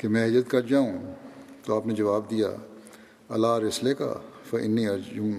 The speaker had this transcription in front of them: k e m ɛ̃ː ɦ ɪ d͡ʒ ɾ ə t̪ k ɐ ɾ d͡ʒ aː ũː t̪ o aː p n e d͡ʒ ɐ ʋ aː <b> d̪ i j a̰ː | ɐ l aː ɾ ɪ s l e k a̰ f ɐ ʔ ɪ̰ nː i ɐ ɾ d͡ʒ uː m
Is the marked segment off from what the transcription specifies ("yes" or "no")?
no